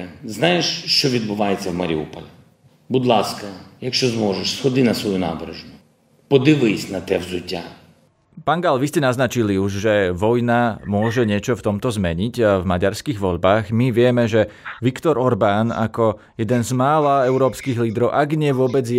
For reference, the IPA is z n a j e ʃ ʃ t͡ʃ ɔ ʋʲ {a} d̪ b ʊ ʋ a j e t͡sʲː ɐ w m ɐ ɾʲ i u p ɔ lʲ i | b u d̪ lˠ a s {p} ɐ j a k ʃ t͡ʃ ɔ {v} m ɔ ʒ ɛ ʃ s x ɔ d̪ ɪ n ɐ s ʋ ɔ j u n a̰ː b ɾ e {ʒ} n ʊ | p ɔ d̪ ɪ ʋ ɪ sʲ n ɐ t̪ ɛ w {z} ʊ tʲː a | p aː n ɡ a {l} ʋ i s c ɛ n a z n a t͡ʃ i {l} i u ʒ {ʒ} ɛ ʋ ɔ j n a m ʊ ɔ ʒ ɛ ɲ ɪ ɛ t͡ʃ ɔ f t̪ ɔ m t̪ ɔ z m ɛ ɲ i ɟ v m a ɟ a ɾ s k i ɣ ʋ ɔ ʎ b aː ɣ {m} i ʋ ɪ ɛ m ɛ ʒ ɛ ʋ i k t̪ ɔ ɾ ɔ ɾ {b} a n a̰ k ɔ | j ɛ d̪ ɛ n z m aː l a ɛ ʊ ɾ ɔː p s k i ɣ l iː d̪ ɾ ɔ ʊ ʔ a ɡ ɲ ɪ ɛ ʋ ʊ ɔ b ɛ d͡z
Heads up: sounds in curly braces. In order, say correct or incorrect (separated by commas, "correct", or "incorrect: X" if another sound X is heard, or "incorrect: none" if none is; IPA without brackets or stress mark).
incorrect: i, incorrect: k, incorrect: z, correct, correct, correct, correct, correct, correct, correct